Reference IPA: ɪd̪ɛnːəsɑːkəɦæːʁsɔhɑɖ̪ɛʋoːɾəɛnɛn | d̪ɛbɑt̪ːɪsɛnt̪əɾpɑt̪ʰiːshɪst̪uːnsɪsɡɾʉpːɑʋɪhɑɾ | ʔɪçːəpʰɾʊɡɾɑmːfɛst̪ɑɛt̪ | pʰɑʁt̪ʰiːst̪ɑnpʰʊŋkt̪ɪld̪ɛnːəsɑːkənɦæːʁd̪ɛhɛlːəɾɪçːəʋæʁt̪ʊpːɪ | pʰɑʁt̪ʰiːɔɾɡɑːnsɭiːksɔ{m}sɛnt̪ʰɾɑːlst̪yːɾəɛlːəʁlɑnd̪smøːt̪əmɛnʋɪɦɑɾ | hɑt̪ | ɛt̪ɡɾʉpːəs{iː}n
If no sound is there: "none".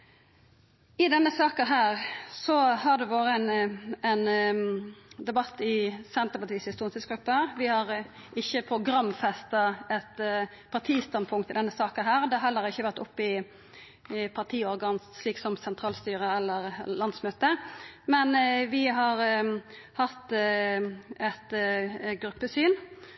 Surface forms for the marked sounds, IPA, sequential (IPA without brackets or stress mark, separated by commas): m, yː